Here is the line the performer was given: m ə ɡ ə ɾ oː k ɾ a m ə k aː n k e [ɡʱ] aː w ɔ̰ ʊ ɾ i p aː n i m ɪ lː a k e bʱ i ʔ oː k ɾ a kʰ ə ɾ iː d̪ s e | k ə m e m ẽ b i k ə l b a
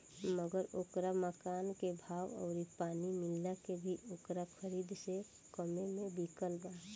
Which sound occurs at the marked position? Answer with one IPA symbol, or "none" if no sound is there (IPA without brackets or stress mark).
bʱ